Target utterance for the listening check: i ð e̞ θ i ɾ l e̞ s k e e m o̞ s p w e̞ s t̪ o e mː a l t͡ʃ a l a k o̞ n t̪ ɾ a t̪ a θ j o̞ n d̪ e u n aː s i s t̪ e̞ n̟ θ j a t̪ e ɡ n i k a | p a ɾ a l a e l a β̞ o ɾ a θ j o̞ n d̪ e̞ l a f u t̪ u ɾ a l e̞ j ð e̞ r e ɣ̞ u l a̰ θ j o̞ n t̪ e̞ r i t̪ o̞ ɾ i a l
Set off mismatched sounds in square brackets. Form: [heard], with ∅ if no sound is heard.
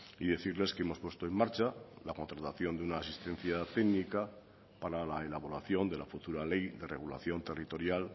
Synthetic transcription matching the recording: i ð e̞ θ i ɾ l e̞ s k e e m o̞ s p w e̞ s t̪ o e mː a [ɾ] t͡ʃ a l a k o̞ n t̪ ɾ a t̪ a θ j o̞ n d̪ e u n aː s i s t̪ e̞ n̟ θ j a t̪ e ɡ n i k a | p a ɾ a l a e l a β̞ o ɾ a θ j o̞ n d̪ e̞ l a f u t̪ u ɾ a l e̞ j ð e̞ r e ɣ̞ u l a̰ θ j o̞ n t̪ e̞ r i t̪ o̞ ɾ [j] a l